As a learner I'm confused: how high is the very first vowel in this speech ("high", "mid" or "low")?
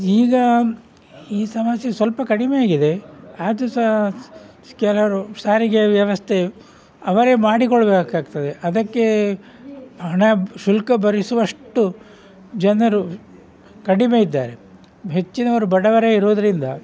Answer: high